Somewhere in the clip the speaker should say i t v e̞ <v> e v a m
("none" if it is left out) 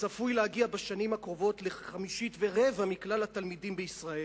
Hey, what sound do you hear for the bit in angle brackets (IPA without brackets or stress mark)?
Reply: ʁ